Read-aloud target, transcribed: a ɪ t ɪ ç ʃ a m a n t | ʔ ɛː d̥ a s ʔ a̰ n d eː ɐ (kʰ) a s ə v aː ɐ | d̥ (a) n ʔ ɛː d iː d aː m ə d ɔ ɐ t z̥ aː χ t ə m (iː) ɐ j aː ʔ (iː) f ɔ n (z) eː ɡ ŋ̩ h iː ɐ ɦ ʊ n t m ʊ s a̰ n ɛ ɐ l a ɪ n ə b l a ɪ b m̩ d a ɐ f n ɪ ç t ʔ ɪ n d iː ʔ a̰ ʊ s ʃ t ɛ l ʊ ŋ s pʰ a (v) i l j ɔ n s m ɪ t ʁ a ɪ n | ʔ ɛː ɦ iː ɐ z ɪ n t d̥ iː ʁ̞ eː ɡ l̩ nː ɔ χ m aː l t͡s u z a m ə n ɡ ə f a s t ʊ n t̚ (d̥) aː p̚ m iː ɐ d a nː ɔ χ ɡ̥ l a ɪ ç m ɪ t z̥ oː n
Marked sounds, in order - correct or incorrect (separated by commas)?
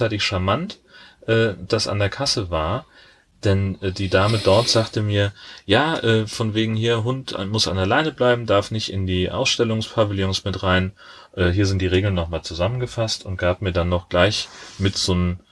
correct, incorrect, correct, incorrect, incorrect, correct, incorrect